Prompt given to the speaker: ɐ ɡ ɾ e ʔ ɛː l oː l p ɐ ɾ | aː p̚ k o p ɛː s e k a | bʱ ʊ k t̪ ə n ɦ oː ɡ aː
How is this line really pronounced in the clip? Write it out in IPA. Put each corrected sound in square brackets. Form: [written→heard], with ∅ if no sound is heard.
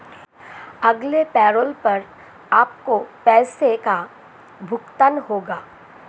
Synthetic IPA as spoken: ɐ ɡ [ɾ→l] e [ʔ→p] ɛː [l→ɾ] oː l p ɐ ɾ | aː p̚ k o p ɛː s e k a | bʱ ʊ k t̪ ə n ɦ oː ɡ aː